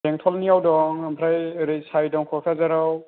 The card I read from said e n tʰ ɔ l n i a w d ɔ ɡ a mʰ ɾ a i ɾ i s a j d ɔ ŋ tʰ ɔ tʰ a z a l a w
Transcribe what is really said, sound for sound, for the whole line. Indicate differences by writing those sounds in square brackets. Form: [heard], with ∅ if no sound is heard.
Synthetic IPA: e [ŋ] tʰ ɔ l n i a w d ɔ [ŋ] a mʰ ɾ a [j] ɾ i s a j d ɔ ŋ [kʰ] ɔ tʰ a z a [ɾ] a w